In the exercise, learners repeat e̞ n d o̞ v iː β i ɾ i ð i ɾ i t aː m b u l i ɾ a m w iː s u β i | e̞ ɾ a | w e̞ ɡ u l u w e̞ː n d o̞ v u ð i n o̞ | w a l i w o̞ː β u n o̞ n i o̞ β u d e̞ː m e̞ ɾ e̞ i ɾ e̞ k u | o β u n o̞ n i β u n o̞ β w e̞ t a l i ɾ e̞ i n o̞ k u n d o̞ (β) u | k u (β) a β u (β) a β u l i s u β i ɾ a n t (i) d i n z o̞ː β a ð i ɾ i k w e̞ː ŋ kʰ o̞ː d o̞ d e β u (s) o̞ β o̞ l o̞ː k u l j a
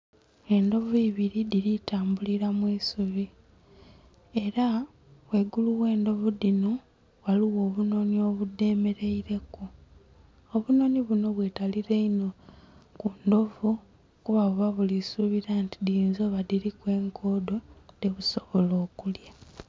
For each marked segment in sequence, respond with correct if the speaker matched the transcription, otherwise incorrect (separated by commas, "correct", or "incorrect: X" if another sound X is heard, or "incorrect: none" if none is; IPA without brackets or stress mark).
incorrect: v, correct, correct, correct, correct